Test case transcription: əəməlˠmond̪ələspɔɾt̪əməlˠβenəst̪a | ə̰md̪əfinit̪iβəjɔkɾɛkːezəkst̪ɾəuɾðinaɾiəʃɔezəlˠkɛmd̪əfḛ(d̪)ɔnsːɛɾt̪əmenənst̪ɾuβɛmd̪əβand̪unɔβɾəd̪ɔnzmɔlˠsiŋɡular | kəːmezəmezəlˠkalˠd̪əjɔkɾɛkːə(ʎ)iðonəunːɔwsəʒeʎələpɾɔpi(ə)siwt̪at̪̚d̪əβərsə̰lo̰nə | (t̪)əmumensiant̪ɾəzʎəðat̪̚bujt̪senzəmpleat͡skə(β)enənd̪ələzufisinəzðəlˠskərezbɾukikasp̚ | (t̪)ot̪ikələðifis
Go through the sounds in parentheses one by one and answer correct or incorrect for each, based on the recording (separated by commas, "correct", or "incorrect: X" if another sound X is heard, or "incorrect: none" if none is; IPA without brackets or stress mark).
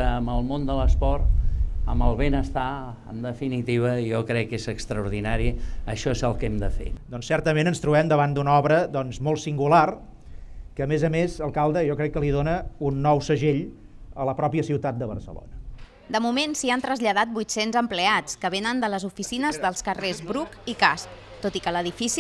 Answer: correct, incorrect: l, correct, incorrect: d̪, correct, correct